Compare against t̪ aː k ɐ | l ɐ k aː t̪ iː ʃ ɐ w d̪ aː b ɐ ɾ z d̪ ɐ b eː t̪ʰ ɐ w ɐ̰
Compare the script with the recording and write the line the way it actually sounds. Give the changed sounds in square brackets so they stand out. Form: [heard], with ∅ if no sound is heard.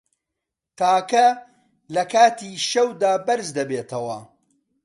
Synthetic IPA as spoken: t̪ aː k ɐ | l ɐ k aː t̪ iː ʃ ɐ w d̪ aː b ɐ ɾ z d̪ ɐ b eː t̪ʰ ɐ w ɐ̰